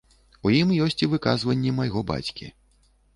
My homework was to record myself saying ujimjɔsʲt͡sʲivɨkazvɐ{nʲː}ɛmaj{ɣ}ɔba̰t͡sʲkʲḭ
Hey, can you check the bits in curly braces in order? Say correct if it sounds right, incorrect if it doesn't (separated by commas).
correct, correct